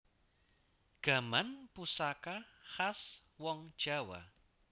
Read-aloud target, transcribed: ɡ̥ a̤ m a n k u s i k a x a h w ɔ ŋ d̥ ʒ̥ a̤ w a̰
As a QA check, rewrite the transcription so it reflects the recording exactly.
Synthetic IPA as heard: ɡ̥ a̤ m a n p u s a k a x a s w ɔ ŋ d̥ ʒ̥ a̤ w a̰

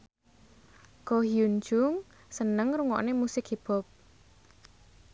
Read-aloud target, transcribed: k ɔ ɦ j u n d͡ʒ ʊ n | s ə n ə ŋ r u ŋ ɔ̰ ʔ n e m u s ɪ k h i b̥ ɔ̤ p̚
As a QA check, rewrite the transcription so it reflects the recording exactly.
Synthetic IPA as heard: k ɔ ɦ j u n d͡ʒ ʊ ŋ | s ə n ə ŋ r u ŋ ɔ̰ ʔ n e m u s ɪ k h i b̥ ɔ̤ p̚

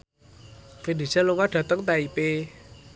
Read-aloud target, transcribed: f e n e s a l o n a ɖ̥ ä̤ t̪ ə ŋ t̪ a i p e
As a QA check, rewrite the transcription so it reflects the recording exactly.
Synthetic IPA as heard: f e n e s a l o ŋ a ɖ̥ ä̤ t̪ ə ŋ t̪ a i p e

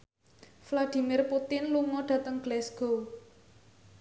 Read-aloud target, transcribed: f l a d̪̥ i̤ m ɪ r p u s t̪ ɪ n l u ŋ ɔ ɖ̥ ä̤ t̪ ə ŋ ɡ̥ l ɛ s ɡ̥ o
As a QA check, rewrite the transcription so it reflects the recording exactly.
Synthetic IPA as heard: f l a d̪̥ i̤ m ɪ r p u t̪ ɪ n l u ŋ ɔ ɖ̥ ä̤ t̪ ə ŋ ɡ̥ l ɛ s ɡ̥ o

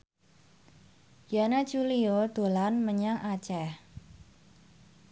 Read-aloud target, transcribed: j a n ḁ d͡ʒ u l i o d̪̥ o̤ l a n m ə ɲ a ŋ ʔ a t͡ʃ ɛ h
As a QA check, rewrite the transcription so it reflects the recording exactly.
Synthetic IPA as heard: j a n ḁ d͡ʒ u l i o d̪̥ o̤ l a n m ə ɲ a ŋ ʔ a t͡ʃ ɛ h

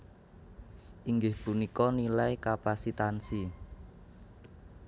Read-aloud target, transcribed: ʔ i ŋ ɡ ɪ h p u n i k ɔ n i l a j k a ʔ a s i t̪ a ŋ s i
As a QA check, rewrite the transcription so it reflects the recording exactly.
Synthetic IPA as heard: ʔ i ŋ ɡ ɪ h p u n i k ɔ n i l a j k a p a s i t̪ a n s i

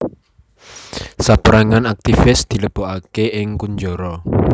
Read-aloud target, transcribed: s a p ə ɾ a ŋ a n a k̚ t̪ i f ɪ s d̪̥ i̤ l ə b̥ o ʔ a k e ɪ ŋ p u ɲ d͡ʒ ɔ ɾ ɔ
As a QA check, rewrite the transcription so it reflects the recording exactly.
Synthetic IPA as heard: s a p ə ɾ a ŋ a n a k̚ t̪ i f ɪ s d̪̥ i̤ l ə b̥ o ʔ a k e ɪ ŋ k u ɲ d͡ʒ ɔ ɾ ɔ

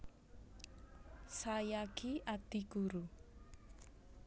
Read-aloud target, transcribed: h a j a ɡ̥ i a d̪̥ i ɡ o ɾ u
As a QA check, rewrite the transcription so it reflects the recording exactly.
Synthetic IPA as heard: s a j a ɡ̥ i a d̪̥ i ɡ u ɾ u

